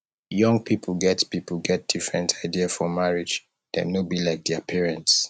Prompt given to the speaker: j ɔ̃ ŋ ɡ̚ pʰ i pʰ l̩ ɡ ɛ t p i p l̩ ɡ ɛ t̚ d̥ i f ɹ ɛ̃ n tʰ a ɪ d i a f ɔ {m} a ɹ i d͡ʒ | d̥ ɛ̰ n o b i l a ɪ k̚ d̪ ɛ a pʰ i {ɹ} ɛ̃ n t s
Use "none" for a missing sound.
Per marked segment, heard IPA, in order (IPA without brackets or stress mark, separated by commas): m, ɹ